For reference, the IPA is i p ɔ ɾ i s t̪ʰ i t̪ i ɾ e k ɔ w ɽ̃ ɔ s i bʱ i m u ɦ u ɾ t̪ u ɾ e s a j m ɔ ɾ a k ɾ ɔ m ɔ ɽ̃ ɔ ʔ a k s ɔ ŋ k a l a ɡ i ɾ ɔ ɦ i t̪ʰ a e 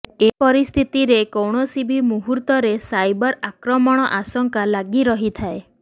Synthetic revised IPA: e p ɔ ɾ i s t̪ʰ i t̪ i ɾ e k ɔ w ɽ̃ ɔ s i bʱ i m u ɦ u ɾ t̪ ɔ ɾ e s a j b ɔ ɾ a k ɾ ɔ m ɔ ɽ̃ ɔ ʔ a s ɔ ŋ k a l a ɡ i ɾ ɔ ɦ i t̪ʰ a e